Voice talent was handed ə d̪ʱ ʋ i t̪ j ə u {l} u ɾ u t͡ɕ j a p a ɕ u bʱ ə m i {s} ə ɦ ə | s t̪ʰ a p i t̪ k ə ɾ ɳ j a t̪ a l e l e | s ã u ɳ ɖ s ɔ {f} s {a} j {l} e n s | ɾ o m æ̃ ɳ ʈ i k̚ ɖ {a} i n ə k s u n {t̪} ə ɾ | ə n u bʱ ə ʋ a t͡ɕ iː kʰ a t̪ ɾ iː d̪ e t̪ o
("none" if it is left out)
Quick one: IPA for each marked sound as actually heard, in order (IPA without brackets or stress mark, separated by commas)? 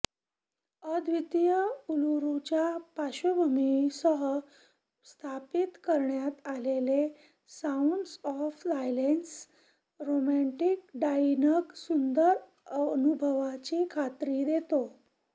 l, s, f, a, l, a, d̪